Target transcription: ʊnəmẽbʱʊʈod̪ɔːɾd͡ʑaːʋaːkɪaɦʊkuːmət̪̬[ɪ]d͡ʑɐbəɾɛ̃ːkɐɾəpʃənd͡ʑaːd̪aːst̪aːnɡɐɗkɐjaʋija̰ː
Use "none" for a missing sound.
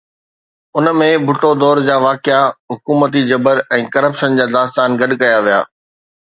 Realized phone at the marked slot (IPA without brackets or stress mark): i